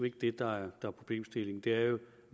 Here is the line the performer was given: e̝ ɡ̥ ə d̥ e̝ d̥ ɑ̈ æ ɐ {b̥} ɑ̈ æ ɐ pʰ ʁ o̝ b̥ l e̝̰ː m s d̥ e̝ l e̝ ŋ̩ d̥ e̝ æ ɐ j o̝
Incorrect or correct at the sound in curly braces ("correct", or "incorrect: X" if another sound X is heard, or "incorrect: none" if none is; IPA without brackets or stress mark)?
incorrect: d̥